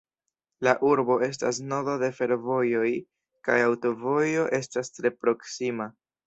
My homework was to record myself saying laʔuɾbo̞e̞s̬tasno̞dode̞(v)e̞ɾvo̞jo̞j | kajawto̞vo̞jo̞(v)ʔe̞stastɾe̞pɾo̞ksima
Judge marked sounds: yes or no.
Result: no, no

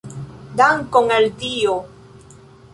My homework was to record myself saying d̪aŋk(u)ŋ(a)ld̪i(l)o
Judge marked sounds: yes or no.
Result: no, yes, no

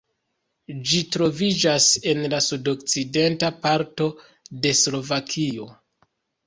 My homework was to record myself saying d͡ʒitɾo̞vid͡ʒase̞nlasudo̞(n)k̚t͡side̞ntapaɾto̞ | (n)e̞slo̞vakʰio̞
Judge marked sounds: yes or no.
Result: no, no

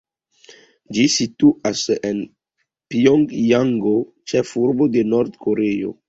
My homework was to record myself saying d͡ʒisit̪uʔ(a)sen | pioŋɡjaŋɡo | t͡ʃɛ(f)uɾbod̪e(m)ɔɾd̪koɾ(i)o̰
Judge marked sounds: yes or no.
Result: yes, yes, no, no

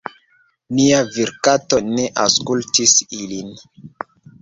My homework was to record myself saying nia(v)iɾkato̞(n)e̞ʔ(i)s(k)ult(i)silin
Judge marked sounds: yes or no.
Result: yes, yes, no, yes, yes

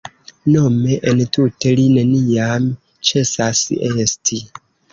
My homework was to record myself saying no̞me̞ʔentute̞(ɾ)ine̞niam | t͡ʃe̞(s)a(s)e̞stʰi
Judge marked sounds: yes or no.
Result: no, yes, yes

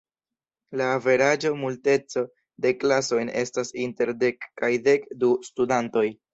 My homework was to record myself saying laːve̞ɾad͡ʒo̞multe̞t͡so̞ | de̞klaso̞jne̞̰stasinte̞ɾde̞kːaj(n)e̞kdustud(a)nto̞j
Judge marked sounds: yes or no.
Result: no, yes

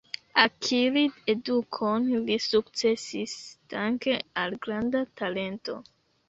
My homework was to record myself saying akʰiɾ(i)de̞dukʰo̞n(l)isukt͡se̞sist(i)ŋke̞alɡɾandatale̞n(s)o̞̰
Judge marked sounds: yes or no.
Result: yes, yes, no, no

